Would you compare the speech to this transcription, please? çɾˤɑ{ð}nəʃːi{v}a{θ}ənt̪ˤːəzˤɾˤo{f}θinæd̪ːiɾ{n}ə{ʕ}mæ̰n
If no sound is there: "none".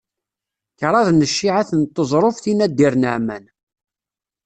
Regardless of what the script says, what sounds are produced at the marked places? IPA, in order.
ð, ʕ, θ, f, n, ʕ

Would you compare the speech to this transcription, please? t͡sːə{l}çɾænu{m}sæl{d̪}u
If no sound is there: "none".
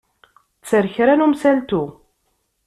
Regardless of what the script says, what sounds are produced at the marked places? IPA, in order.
ɾ, m, t̪

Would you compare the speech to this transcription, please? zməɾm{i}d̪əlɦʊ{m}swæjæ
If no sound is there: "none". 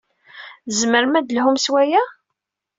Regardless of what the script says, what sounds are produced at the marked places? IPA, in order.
æ, m

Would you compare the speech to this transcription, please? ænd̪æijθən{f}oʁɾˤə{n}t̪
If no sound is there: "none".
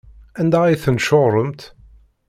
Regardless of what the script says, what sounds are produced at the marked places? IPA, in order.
ʃ, m

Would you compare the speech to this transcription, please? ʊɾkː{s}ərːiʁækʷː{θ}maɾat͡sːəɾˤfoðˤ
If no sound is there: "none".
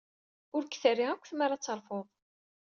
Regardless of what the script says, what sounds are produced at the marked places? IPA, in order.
θ, θ

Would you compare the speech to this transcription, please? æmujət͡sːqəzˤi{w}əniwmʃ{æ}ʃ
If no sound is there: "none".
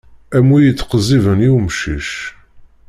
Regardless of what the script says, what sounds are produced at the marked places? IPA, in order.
v, i

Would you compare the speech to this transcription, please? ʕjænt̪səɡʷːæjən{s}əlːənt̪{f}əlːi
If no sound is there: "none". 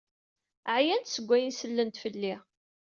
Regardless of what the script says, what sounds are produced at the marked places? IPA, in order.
s, f

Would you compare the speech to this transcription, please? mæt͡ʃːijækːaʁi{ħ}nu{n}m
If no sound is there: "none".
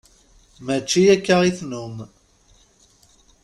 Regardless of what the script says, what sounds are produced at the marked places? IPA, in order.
θ, none

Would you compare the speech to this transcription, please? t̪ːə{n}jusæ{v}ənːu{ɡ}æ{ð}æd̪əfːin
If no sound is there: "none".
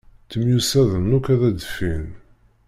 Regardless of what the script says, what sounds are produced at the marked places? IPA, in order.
m, ð, k, ð

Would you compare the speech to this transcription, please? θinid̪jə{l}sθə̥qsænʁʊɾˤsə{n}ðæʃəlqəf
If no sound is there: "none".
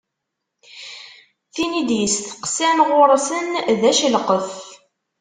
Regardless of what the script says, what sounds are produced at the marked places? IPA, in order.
none, n

